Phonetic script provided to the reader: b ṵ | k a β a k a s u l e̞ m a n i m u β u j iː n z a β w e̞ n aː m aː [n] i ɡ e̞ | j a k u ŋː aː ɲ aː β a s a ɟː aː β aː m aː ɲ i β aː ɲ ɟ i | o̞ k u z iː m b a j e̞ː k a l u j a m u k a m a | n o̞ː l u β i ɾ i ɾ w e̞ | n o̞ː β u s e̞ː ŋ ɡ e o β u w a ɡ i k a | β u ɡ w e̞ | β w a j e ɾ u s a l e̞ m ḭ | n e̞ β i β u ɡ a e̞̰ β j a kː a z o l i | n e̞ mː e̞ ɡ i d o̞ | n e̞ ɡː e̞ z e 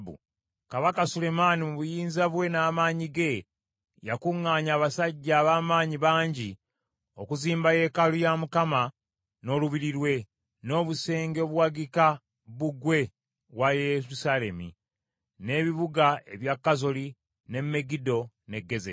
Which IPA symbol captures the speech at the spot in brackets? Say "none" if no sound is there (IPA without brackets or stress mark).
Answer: ɲ